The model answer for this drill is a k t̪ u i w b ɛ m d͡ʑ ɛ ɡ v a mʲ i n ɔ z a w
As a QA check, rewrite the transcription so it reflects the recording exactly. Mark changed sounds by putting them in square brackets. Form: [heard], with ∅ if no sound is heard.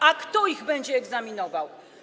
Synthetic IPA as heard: a k t̪ [ɔ] i [ɣ] b ɛ [ɲ] d͡ʑ [ɛː] ɡ [z] a mʲ i n ɔ [v] a w